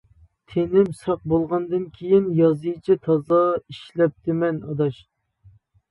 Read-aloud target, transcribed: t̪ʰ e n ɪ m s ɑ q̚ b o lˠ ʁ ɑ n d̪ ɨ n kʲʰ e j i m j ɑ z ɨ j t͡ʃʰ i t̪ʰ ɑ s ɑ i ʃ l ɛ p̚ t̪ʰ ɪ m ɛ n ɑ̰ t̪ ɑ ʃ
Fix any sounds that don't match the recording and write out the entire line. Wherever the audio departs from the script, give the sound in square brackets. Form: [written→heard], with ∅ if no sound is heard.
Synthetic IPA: t̪ʰ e n ɪ m s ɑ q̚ b o lˠ ʁ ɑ n d̪ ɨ n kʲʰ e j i [m→n] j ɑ z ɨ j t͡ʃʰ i t̪ʰ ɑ [s→z] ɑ i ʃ l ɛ p̚ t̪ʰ ɪ m ɛ n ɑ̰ [t̪→d̪] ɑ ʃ